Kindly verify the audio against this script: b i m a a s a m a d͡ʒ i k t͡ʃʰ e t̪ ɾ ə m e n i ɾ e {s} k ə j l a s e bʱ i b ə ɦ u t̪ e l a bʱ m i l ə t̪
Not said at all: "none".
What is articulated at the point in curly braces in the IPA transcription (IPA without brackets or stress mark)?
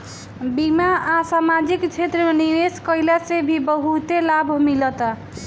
s